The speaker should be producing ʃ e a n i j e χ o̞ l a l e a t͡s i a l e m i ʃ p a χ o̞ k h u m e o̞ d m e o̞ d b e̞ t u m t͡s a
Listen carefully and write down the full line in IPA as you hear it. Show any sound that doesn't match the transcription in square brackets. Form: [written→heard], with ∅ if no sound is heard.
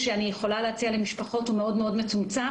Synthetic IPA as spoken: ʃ e a n i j e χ o̞ l a l e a t͡s i a l e m i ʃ p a χ o̞ [k→t] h u m e o̞ d m e o̞ d [b→m] e̞ [t→t͡s] u m t͡s a